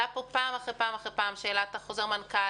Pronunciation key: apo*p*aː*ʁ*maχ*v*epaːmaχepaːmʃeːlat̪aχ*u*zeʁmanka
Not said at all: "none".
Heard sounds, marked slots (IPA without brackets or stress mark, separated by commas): p, none, ʁ, o